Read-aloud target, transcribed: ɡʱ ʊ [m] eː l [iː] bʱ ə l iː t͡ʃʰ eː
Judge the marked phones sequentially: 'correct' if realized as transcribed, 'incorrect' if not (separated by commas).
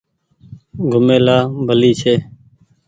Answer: correct, incorrect